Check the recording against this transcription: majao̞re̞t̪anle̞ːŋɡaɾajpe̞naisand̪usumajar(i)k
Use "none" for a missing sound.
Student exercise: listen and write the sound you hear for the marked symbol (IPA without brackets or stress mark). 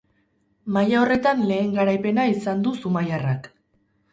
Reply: a